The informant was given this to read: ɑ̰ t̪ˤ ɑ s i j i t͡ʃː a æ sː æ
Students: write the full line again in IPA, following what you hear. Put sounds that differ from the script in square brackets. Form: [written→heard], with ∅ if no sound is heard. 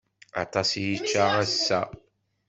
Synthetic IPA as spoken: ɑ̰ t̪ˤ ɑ s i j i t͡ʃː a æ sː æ